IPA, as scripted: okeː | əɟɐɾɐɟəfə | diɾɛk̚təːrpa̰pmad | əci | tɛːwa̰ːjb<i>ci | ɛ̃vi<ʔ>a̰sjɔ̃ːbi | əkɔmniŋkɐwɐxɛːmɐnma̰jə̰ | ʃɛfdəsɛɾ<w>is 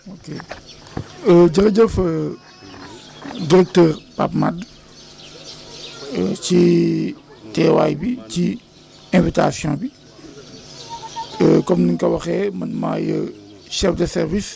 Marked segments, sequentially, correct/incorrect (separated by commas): correct, incorrect, incorrect